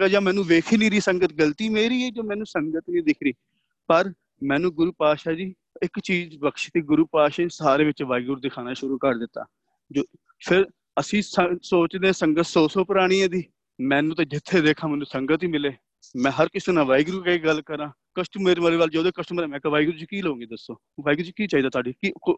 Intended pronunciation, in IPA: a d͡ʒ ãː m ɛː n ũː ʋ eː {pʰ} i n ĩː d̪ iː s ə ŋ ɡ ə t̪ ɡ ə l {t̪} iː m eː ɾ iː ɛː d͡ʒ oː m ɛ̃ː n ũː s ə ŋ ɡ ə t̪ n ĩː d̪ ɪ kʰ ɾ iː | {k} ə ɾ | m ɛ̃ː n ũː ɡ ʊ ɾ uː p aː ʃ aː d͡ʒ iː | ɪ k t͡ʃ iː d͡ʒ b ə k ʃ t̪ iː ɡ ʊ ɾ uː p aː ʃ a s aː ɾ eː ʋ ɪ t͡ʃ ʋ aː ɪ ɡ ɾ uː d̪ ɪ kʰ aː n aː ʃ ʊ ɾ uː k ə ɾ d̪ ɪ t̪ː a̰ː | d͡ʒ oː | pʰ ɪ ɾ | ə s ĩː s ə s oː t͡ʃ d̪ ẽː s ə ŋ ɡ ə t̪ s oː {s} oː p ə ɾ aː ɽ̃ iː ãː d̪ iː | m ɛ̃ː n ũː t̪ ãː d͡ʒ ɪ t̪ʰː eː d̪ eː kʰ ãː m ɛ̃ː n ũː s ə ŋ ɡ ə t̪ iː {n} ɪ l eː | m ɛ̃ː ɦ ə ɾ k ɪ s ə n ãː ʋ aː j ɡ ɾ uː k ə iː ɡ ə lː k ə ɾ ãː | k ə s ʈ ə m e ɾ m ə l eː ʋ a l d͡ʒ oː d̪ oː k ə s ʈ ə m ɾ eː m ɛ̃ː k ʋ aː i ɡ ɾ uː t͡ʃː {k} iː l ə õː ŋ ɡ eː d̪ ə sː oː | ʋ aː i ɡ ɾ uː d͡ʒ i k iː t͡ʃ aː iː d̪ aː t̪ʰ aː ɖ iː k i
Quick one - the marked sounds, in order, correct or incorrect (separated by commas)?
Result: incorrect, correct, incorrect, correct, incorrect, correct